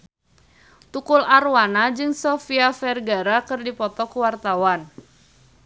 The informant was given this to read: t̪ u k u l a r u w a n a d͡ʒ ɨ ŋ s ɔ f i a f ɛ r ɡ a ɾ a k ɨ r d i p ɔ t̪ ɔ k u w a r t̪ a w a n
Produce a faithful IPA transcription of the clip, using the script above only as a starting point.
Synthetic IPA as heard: t̪ u k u l a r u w a n a d͡ʒ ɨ ŋ s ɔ f i a f ɛ r ɡ a ɾ a k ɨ r d i p ɔ t̪ ɔ k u w a r t̪ a w a n